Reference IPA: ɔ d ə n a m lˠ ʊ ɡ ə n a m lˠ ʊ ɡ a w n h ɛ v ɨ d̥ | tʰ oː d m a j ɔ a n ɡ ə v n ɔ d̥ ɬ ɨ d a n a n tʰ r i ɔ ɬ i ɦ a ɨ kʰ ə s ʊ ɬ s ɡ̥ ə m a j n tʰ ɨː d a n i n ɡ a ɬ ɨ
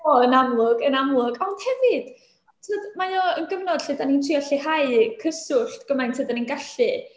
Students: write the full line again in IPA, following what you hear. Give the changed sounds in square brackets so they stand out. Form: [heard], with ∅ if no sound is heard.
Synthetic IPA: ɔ [∅] ə n a m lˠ ʊ ɡ ə n a m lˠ ʊ ɡ a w n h ɛ v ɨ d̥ | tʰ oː d m a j ɔ [ə] n ɡ ə v n ɔ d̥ ɬ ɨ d a n [i] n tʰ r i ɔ ɬ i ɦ a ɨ kʰ ə s ʊ ɬ [t] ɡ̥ ə m a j n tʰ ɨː d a n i n ɡ a ɬ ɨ

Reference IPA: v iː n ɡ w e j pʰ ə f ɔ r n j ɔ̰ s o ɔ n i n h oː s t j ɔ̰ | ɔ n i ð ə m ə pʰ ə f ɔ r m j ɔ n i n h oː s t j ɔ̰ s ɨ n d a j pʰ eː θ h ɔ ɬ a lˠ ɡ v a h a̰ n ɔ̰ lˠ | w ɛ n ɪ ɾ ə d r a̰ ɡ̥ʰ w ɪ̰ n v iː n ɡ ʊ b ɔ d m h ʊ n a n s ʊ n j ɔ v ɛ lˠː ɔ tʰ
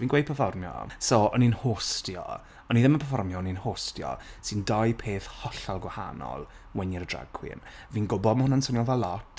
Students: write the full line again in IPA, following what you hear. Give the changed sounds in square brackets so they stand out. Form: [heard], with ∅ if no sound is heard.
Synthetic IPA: v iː n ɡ w e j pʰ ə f ɔ r [m] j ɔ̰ s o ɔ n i n h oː s t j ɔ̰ | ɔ n i ð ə m ə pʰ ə f ɔ r m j ɔ n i n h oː s t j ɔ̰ s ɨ n d a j pʰ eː θ h ɔ ɬ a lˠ ɡ [w] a h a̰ n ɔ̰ lˠ | w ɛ n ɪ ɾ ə d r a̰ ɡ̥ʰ w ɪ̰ n v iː n ɡ ʊ b ɔ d m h ʊ n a n s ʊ n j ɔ v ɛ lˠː ɔ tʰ

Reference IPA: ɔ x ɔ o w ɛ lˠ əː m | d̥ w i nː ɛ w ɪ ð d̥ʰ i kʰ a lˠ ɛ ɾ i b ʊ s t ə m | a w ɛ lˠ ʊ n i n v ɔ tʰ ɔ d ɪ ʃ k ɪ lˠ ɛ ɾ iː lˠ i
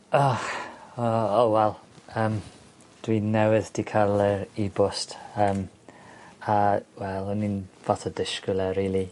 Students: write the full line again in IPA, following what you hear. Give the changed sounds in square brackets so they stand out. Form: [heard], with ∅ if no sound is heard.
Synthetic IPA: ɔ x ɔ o w ɛ lˠ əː m | d̥ w i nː ɛ w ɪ ð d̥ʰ i kʰ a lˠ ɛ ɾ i b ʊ s t ə m | a w ɛ lˠ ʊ n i n v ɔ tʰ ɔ d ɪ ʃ k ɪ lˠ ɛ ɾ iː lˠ i

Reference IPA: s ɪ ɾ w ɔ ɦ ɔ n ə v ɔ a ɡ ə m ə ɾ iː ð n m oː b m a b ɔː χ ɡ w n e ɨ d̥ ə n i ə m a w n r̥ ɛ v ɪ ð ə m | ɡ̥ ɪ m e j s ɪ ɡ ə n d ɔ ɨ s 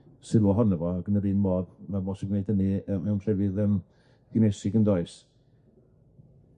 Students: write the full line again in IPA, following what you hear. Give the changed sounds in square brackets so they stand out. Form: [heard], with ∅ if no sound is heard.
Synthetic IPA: s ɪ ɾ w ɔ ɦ ɔ n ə v ɔ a ɡ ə [n] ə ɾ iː [∅] n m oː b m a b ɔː [s] ɡ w n e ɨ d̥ ə n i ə m [ɛ] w n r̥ ɛ v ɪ ð ə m | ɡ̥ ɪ [n] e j s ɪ ɡ ə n d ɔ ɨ s

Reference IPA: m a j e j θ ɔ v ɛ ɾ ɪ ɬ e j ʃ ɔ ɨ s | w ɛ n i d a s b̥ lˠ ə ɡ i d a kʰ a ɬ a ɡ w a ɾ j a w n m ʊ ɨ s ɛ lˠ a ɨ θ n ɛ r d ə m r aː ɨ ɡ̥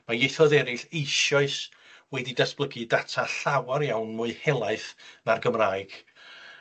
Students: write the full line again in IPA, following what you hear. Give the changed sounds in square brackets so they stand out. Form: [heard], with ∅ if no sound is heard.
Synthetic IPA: m a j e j θ ɔ [ð] ɛ ɾ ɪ ɬ e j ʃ ɔ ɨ s | w ɛ [d] i d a s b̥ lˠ ə ɡ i d a [tʰ] a ɬ a [∅] w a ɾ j a w n m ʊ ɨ [h] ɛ lˠ a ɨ θ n [a] r [ɡ] ə m r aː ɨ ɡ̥

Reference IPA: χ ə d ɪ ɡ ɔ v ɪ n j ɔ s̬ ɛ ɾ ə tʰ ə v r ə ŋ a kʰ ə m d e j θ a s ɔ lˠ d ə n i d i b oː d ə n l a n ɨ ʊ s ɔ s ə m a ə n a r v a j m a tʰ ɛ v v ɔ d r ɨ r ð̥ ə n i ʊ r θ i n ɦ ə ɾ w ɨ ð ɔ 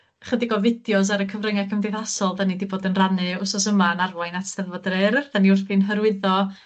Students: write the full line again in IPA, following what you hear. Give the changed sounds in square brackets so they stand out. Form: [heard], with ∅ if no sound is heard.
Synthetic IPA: χ ə d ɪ ɡ ɔ v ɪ [d] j ɔ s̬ [a] ɾ ə [kʰ] ə v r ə ŋ a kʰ ə m d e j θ a s ɔ lˠ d [a] n i d i b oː d ə n [r] a n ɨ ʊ s ɔ s ə m a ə n a r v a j [n] a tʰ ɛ [ð] v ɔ d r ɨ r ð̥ [a] n i ʊ r θ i n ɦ ə ɾ w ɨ ð ɔ

